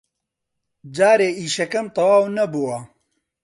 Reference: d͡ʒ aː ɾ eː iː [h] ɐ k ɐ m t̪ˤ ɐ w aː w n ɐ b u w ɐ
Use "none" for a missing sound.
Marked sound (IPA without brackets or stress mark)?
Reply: ʃ